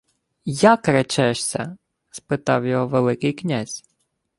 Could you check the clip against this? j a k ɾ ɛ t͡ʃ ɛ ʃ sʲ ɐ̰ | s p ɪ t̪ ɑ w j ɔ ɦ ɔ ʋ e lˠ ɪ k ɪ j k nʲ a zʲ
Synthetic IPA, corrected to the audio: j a k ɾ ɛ t͡ʃ ɛ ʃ sʲ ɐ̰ | s p ɪ t̪ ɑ w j ɔ ɦ ɔ ʋ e lˠ ɪ k ɪ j k nʲ a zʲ

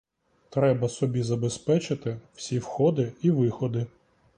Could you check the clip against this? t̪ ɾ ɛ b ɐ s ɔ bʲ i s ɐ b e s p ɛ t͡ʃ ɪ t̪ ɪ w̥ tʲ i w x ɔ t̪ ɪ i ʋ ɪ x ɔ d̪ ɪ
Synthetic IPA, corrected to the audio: t̪ ɾ ɛ b ɐ s ɔ bʲ i z ɐ b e s p ɛ t͡ʃ ɪ t̪ ɪ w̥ sʲ i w x ɔ d̪ ɪ i ʋ ɪ x ɔ d̪ ɪ

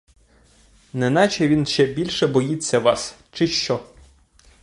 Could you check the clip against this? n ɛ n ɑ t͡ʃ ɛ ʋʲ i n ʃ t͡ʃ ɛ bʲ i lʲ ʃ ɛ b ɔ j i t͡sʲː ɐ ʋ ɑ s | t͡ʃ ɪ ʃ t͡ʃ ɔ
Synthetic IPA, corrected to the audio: n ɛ n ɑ t͡ʃ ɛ ʋʲ i n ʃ t͡ʃ ɛ bʲ i lʲ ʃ ɛ b ɔ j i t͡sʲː ɐ ʋ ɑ s | t͡ʃ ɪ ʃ t͡ʃ ɔ

